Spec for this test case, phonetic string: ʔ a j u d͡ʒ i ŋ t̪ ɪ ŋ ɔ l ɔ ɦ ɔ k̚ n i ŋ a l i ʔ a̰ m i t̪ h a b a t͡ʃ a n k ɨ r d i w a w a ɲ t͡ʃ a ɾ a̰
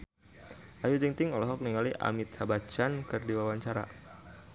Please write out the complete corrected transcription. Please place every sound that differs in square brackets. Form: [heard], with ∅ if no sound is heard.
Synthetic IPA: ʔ a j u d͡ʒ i ŋ t̪ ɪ ŋ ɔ l ɔ ɦ ɔ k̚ n i ŋ a l i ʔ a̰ m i t̪ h a b a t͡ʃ a n k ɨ r d i w a w a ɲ t͡ʃ a ɾ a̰